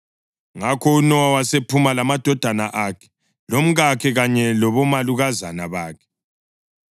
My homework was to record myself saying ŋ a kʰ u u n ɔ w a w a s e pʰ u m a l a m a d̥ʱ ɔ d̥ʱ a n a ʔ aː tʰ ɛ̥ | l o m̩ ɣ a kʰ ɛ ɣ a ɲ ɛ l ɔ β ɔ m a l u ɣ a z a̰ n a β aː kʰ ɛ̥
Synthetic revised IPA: ŋ a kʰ ɔ u n ɔ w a w a s e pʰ u m a l a m a d̥ʱ ɔ d̥ʱ a n a ʔ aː kʰ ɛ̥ | l o m̩ ɣ a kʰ ɛ ɣ a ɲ ɛ l ɔ β ɔ m a l u ɣ a z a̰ n a β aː kʰ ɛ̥

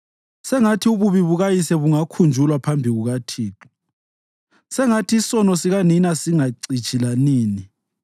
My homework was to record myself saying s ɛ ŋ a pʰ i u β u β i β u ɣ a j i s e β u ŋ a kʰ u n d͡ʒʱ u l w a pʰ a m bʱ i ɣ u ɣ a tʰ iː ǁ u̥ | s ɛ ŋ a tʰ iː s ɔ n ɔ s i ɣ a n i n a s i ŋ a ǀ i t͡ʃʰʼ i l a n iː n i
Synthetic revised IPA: s ɛ ŋ a tʰ i u β u β i β u ɣ a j i s ɛ β u ŋ a kʰ u n d͡ʒʱ u l w a pʰ a m bʱ i ɣ u ɣ a tʰ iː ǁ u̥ | s ɛ ŋ a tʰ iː s ɔ n ɔ s i ɣ a n i n a s i ŋ a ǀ i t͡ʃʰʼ i l a n iː n i

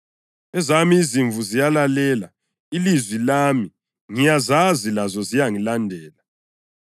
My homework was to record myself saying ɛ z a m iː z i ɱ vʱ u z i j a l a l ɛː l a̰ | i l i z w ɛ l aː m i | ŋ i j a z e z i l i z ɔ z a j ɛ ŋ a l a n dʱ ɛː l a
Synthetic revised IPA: ɛ z a m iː z i ɱ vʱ u z i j a l a l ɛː l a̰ | i l i z w i l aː m i | ŋ i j a z a z i l a z ɔ z i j a ŋ i l a n dʱ ɛː l a

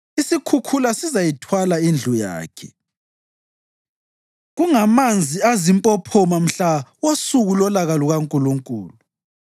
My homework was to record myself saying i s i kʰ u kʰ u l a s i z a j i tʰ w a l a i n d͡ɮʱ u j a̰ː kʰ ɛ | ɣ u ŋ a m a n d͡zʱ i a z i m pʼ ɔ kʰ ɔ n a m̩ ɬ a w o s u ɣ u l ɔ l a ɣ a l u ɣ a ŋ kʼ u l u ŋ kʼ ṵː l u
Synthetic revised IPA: i s i kʰ u kʰ u l a s i z a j i tʰ w a l a i n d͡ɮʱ u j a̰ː kʰ ɛ | ɣ u ŋ a m a n d͡zʱ i a z i m pʼ ɔ pʰ ɔ m a m̩ ɬ a w o s u ɣ u l ɔ l a ɣ a l u ɣ a ŋ kʼ u l u ŋ kʼ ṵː l u

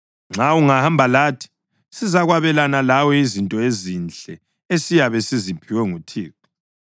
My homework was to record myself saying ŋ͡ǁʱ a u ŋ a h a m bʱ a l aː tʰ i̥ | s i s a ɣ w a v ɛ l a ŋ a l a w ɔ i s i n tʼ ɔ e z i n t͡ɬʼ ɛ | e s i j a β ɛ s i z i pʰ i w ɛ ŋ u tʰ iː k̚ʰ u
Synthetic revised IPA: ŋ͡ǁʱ a u ŋ a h a m bʱ a l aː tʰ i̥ | s i z a ɣ w a β ɛ l a n a l a w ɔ i z i n tʼ ɔ e z i n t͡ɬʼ ɛ | e s i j a β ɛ s i z i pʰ i w ɛ ŋ u tʰ iː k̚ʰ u

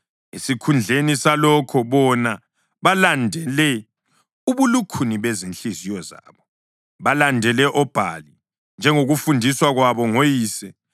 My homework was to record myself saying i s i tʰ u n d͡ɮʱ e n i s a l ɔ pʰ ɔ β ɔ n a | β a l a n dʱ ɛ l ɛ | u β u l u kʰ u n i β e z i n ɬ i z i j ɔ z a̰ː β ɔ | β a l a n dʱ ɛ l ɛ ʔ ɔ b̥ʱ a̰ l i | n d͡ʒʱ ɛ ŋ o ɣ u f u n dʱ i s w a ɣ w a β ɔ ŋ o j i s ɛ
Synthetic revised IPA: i s i kʰ u n d͡ɮʱ e n i s a l ɔ kʰ ɔ β ɔ n a | β a l a n dʱ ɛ l ɛ | u β u l u kʰ u n i β e z i n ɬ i z i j ɔ z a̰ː β ɔ | β a l a n dʱ ɛ l ɛ ʔ ɔ b̥ʱ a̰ l i | n d͡ʒʱ ɛ ŋ o ɣ u f u n dʱ i s w a ɣ w a β ɔ ŋ o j iː s ɛ

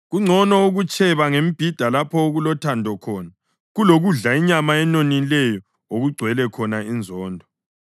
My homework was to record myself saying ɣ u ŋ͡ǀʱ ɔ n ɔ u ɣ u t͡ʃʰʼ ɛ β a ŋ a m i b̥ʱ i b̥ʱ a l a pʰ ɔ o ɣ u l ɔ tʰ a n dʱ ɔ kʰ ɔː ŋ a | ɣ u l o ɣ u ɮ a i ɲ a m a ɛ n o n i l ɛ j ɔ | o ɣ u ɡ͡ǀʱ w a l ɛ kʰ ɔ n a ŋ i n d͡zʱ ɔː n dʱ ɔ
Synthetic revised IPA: ɣ u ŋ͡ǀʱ ɔ n ɔ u ɣ u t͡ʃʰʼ ɛ β a ŋ e m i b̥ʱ i d̥ʱ a l a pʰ ɔ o ɣ u l ɔ tʰ a n dʱ ɔ kʰ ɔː n a | ɣ u l o ɣ u ɮ a i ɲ a m a ɛ n o n i l ɛ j ɔ | o ɣ u ɡ͡ǀʱ w ɛ l ɛ kʰ ɔ n a i n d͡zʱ ɔː n dʱ ɔ

